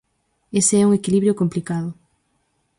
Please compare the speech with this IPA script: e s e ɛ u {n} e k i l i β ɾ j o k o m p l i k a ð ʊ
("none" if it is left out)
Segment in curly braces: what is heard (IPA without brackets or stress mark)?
ŋ